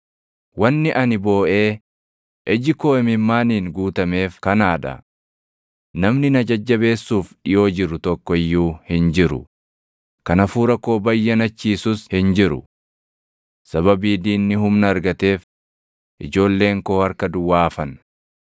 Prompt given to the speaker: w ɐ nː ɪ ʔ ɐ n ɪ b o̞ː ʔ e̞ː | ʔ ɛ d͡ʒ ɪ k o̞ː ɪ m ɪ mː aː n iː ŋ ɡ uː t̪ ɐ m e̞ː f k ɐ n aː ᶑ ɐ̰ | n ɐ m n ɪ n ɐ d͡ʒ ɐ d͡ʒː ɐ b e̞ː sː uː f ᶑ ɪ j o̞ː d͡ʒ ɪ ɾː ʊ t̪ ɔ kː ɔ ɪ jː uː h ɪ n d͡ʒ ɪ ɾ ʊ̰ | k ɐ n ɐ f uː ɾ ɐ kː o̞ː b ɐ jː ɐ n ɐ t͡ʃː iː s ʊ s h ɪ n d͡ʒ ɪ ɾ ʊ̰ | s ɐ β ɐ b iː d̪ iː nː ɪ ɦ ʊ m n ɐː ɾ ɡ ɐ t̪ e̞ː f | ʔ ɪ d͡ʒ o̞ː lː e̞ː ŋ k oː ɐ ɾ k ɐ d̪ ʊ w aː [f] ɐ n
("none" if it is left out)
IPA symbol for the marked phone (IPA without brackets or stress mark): f